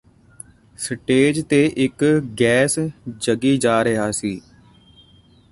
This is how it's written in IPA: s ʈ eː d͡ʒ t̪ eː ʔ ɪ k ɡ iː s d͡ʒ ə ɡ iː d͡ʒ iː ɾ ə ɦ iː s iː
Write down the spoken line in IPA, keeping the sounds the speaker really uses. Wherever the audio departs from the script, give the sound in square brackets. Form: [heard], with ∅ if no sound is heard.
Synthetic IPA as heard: s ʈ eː d͡ʒ t̪ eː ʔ ɪ k ɡ [ɛː] s d͡ʒ ə ɡ iː d͡ʒ [aː] ɾ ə ɦ [aː] s iː